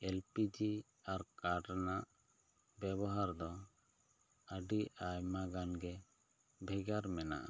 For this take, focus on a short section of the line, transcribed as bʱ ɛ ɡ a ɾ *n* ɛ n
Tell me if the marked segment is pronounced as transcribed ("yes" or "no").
no